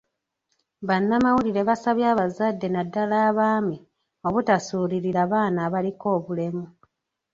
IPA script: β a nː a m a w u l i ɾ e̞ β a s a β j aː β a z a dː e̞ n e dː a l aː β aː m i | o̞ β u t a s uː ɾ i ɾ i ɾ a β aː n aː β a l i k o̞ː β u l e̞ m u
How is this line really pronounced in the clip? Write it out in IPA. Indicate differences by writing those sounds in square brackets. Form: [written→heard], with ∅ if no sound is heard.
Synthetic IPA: β a nː a m a w u l i ɾ e̞ β a s a β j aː β a z a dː e̞ n [e→a] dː a l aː β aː m i | o̞ β u t a s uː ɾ i ɾ i ɾ a β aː n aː β a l i k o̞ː β u l e̞ m u